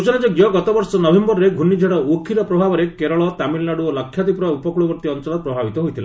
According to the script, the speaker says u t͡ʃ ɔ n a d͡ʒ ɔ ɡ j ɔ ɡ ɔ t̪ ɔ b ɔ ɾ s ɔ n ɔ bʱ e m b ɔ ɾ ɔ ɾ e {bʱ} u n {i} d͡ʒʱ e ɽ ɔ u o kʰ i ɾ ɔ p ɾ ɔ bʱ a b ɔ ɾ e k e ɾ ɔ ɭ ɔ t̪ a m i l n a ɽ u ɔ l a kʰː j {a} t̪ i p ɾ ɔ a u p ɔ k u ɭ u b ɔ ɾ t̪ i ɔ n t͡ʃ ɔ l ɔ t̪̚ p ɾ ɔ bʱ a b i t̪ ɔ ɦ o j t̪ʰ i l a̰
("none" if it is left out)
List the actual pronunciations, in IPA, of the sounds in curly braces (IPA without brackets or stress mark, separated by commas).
ɡʱ, i, a